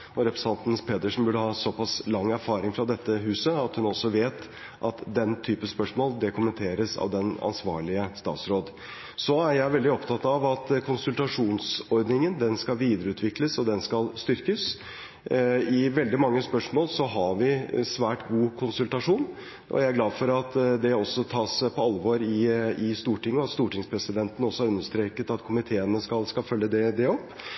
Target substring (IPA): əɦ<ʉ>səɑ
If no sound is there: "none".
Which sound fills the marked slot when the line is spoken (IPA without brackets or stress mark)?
ʉː